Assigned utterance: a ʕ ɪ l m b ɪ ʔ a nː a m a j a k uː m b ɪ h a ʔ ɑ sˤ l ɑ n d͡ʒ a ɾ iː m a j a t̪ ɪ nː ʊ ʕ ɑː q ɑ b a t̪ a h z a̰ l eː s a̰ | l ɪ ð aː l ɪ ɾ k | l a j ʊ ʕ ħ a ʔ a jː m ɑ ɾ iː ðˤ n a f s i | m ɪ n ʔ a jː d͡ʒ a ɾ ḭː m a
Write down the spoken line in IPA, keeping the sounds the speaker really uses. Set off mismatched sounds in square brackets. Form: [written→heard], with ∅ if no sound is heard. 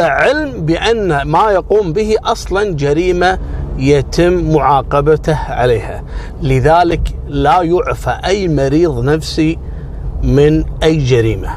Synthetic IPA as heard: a ʕ ɪ l m b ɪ ʔ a nː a m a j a [k→q] uː m b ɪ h [a→i] ʔ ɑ sˤ l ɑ n d͡ʒ a ɾ iː m a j a t̪ ɪ [nː→mː] ʊ ʕ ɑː q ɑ b a t̪ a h [z→ʕ] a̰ l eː [s→h] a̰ | l ɪ ð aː l ɪ [ɾ→∅] k | l a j ʊ ʕ [ħ→f] a ʔ a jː m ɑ ɾ iː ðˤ n a f s i | m ɪ n ʔ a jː d͡ʒ a ɾ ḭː m a